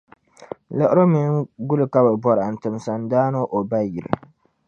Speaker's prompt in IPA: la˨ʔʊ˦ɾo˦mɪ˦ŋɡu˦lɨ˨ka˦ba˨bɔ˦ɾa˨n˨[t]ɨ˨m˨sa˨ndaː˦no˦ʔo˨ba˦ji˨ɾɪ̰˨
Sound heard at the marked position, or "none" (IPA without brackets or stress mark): t